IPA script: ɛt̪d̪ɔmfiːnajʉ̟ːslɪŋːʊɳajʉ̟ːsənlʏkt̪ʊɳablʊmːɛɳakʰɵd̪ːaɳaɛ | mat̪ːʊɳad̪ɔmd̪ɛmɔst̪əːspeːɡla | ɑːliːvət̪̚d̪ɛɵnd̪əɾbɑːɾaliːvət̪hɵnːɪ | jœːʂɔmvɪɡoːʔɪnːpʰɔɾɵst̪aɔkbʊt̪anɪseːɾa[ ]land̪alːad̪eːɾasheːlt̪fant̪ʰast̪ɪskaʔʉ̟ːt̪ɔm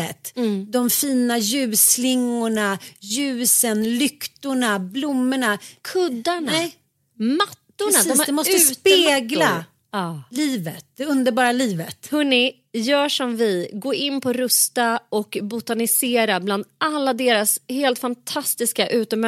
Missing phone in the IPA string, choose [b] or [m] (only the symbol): b